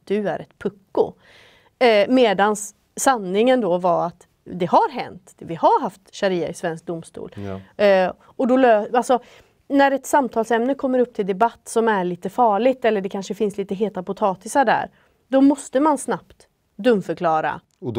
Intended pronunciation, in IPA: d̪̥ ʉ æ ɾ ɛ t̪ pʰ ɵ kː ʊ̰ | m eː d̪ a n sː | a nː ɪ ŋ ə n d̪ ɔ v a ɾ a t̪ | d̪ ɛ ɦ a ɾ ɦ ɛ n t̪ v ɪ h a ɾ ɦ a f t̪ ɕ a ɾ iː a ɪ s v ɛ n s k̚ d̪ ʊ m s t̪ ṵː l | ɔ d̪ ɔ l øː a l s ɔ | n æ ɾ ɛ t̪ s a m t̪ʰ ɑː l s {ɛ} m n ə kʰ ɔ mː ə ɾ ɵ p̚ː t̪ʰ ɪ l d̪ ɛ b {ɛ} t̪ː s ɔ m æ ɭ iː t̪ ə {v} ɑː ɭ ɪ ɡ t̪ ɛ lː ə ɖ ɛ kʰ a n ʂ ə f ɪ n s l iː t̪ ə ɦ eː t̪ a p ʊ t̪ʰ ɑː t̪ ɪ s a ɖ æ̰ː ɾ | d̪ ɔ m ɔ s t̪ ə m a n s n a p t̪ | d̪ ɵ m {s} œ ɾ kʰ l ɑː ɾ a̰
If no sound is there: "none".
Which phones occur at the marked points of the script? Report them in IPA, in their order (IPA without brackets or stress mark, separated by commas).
ɛ, a, f, f